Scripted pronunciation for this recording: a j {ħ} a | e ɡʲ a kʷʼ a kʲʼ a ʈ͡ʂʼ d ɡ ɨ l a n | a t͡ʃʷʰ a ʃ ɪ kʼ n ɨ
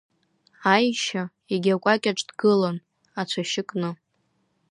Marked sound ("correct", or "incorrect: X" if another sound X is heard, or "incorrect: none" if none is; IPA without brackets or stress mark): incorrect: ʃ